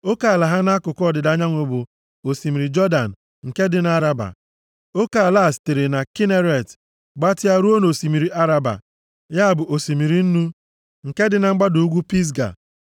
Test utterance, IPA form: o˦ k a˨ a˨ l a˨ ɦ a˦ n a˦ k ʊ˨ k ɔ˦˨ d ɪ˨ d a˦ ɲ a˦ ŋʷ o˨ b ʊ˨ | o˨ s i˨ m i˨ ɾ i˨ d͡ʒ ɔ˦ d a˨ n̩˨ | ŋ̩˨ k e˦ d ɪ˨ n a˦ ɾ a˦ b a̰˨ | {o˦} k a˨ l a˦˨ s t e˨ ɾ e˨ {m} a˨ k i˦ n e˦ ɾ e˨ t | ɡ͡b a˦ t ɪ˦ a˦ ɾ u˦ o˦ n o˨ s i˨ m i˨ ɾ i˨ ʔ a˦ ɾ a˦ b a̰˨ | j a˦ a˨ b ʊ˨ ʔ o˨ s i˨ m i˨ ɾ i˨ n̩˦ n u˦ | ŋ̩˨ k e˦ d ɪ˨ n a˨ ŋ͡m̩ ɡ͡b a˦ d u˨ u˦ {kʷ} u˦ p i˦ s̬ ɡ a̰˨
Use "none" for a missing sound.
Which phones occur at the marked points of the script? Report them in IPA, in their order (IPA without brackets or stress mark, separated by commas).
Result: o˦, n, ɡʷ